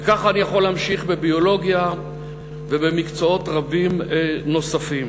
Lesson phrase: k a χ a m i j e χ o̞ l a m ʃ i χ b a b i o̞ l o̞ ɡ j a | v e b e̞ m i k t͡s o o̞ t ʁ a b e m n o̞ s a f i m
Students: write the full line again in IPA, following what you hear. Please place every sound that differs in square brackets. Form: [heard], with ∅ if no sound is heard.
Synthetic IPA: k a χ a [n] i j [a] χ o̞ l a m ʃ i χ b [e] b i o̞ l o̞ ɡ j a | v e b e̞ m i k t͡s o o̞ t ʁ a b [i] m n o̞ s a f i m